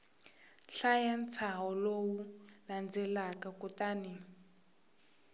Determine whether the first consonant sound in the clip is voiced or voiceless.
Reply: voiceless